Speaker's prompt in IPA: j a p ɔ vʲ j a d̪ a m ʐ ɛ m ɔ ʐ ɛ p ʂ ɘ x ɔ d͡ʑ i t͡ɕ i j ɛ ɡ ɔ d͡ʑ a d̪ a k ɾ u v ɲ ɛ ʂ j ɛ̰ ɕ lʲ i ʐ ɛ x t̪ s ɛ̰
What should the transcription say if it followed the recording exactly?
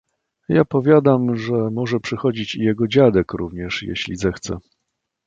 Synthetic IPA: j a p ɔ vʲ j a d̪ a m ʐ ɛ m ɔ ʐ ɛ p ʂ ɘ x ɔ d͡ʑ i t͡ɕ i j ɛ ɡ ɔ d͡ʑ a d̪ ɛ k ɾ u v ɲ ɛ ʂ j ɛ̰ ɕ lʲ i z ɛ x t̪ s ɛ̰

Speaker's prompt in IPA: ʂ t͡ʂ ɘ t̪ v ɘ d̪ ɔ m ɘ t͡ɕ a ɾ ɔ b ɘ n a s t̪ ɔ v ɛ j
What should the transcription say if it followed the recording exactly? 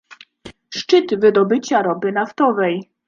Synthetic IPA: ʂ t͡ʂ ɘ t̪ v ɘ d̪ ɔ b ɘ t͡ɕ a ɾ ɔ b ɘ n a f t̪ ɔ v ɛ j

